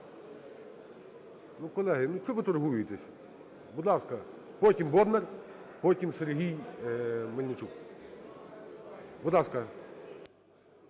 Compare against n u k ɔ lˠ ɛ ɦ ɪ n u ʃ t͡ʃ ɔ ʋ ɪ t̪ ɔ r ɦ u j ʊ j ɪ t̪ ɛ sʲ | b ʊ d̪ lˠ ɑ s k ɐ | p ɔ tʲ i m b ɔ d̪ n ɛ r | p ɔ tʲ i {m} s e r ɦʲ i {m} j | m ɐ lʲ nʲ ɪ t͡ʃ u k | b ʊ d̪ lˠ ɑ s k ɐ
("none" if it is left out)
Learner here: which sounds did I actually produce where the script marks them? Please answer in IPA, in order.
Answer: m, none

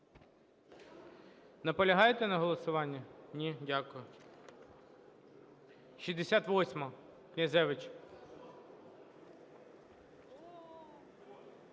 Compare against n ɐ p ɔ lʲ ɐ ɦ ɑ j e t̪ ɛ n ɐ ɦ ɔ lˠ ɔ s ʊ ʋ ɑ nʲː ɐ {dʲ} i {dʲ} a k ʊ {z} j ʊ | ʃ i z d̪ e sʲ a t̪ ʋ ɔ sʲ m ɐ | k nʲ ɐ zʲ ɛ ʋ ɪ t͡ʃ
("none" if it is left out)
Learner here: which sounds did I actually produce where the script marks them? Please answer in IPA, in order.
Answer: nʲ, dʲ, none

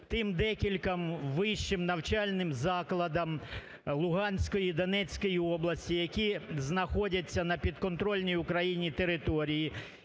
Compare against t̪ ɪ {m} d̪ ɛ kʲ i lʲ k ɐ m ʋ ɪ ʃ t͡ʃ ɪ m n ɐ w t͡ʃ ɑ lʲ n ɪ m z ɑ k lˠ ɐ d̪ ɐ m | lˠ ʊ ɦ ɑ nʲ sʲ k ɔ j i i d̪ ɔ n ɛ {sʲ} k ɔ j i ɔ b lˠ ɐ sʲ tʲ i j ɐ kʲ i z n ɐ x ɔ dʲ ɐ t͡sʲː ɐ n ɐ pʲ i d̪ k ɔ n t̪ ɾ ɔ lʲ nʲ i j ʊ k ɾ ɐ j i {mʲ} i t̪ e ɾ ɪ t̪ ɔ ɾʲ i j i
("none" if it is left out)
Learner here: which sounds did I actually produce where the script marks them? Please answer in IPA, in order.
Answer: m, t͡sʲ, nʲ

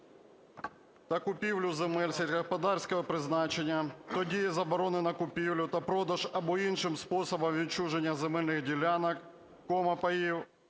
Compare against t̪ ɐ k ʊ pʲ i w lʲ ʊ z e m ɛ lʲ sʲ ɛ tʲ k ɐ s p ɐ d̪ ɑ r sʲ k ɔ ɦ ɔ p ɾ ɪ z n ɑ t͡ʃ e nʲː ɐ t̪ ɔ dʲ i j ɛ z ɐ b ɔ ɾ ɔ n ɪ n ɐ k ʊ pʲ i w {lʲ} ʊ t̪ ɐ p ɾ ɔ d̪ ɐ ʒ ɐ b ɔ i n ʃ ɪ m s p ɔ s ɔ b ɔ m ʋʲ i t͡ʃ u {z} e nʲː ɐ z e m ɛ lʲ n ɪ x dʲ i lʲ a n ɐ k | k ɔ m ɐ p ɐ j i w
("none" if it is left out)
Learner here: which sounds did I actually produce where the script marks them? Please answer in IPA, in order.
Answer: lʲ, ʒ

